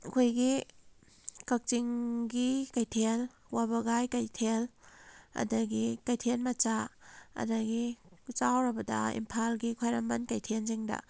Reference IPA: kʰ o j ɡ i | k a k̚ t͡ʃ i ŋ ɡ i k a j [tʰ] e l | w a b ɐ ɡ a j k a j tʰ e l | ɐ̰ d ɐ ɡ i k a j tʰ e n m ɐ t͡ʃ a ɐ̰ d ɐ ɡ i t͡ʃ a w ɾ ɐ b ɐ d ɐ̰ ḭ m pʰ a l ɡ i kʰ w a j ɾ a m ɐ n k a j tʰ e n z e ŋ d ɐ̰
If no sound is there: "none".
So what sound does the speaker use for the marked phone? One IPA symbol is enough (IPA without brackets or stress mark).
tʰ